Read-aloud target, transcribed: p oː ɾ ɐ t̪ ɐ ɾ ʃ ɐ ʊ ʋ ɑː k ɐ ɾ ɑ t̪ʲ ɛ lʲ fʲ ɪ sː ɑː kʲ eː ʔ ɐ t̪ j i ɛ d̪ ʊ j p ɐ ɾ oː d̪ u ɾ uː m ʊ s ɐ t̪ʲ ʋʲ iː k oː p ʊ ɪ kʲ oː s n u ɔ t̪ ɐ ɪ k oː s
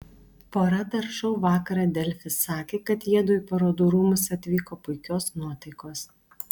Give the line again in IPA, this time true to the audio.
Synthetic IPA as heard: p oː ɾ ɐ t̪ ɐ ɾ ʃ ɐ ʊ ʋ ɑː k ɐ ɾ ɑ d̪ʲ ɛ lʲ fʲ ɪ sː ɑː kʲ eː k ɐ t̪ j i ɛ d̪ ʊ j p ɐ ɾ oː d̪ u ɾ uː m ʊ s ɐ t̪ʲ ʋʲ iː k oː p ʊ ɪ kʲ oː s n u ɔ t̪ ɐ ɪ k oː s

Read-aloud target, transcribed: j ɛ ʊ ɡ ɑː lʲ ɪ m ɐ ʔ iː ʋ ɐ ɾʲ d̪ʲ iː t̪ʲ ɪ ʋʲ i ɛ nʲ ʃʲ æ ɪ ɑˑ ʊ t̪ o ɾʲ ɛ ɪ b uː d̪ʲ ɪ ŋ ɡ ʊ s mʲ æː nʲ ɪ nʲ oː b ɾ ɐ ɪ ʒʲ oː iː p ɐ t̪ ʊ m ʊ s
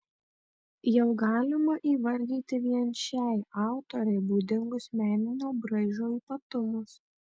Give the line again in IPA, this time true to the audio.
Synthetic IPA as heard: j ɛ ʊ ɡ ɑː lʲ ɪ m ɐ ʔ iː ʋ ɐ ɾʲ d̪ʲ iː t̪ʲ ɪ ʋʲ i ɛ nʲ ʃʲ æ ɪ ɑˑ ʊ t̪ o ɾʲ ɛ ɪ b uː d̪ʲ ɪ ŋ ɡ ʊ s mʲ æː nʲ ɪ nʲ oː b ɾ ɐ ɪ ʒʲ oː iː p ɐ t̪ ʊ m ʊ s

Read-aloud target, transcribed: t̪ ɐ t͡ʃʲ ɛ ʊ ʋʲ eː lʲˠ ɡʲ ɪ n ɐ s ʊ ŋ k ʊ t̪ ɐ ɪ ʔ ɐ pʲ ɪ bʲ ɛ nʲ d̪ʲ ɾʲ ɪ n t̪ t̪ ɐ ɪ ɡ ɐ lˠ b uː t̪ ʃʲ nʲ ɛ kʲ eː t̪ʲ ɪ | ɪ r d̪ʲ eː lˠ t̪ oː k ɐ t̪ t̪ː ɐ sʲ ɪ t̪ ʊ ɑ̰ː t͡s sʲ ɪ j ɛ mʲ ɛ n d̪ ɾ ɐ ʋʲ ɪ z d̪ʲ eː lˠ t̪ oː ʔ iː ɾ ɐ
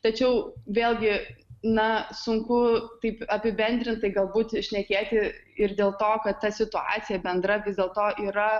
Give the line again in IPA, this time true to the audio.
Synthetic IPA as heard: t̪ ɐ t͡ʃʲ ɛ ʊ ʋʲ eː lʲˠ ɡʲ ɪ n ɐ s ʊ ŋ k ʊ t̪ ɐ ɪ p ɐ pʲ ɪ bʲ ɛ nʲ d̪ʲ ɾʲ ɪ n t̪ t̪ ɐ ɪ ɡ ɐ lˠ b uː t̪ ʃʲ nʲ ɛ kʲ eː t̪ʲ ɪ | ɪ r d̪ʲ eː lˠ t̪ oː k ɐ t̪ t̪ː ɐ sʲ ɪ t̪ ʊ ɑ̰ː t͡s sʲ ɪ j ɛ bʲ ɛ n d̪ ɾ ɐ ʋʲ ɪ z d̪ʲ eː lˠ t̪ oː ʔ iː ɾ ɐ

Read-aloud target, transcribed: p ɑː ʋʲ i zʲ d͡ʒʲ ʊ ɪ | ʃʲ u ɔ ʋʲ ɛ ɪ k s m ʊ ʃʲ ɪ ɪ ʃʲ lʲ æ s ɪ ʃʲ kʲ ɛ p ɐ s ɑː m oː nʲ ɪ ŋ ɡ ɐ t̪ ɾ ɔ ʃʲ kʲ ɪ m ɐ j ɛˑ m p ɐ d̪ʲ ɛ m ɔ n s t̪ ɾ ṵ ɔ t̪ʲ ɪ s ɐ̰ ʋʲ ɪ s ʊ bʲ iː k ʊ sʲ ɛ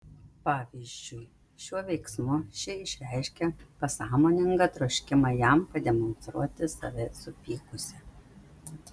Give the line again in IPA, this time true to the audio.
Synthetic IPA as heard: p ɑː ʋʲ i zʲ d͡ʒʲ ʊ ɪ | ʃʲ u ɔ ʋʲ ɛ ɪ k s m ʊ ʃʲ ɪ ɪ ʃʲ ɾʲ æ ɪ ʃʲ kʲ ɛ p ɐ s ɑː m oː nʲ ɪ ŋ ɡ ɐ t̪ ɾ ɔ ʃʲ kʲ ɪ m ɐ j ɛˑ m p ɐ d̪ʲ ɛ m ɔ n s t̪ ɾ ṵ ɔ t̪ʲ ɪ s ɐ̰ ʋʲ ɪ s ʊ pʲ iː k ʊ sʲ ɛ

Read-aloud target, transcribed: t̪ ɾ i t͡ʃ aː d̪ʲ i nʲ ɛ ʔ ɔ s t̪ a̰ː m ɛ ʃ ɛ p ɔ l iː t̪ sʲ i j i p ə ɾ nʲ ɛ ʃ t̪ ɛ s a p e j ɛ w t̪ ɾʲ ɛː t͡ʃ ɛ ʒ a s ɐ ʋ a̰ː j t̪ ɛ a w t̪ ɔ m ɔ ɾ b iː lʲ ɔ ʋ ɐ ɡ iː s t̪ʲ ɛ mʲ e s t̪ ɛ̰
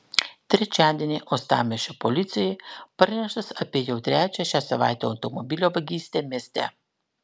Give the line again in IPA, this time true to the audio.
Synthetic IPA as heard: t̪ ɾ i t͡ʃ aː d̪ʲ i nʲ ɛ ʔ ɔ s t̪ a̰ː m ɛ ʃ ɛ p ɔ l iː t̪ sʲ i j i p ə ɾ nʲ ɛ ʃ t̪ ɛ s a p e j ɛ w t̪ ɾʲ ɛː t͡ʃ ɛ ʃ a s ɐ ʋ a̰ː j t̪ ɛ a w t̪ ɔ m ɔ b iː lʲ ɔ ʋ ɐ ɡ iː s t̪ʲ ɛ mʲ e s t̪ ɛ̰

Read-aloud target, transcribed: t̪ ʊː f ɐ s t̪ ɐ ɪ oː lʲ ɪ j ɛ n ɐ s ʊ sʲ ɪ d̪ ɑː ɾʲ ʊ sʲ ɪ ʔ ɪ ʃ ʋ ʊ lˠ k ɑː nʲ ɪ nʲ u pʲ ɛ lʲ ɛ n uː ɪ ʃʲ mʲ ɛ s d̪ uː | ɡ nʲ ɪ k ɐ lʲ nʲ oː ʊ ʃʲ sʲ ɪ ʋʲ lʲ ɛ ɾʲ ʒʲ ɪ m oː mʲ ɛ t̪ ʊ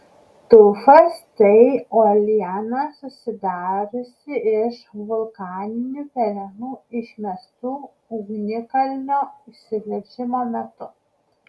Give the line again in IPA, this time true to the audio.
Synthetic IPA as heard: t̪ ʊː f ɐ s t̪ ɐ ɪ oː lʲ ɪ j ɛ n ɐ s ʊ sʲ ɪ d̪ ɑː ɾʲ ʊ sʲ ɪ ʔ ɪ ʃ ʋ ʊ lˠ k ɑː nʲ ɪ nʲ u pʲ ɛ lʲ ɛ n uː ɪ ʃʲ mʲ ɛ s t̪ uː | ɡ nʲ ɪ k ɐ lʲ nʲ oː ʊ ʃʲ sʲ ɪ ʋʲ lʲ ɛ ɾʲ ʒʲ ɪ m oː mʲ ɛ t̪ ʊ

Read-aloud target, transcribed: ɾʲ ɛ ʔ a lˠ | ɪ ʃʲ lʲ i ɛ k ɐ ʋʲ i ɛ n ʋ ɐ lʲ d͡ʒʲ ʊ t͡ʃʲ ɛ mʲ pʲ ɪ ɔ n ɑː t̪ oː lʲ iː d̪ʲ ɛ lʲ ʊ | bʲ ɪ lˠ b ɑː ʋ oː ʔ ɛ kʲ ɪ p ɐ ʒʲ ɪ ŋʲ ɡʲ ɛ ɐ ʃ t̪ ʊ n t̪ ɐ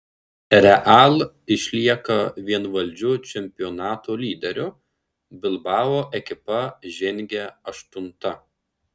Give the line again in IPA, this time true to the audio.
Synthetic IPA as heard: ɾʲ ɛ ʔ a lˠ | ɪ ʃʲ lʲ i ɛ k ɐ ʋʲ i ɛ n ʋ ɐ lʲ d͡ʒʲ ʊ t͡ʃʲ ɛ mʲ pʲ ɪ ɔ n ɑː t̪ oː lʲ iː d̪ʲ ɛ ɾʲ ʊ | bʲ ɪ lˠ b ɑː ʋ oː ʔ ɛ kʲ ɪ p ɐ ʒʲ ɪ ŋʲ ɡʲ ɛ ɐ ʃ t̪ ʊ n t̪ ɐ

